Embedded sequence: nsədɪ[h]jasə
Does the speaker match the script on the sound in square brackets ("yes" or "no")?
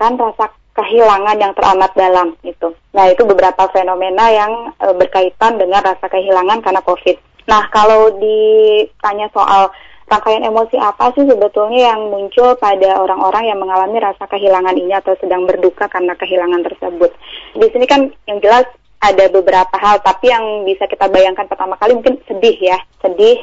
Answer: yes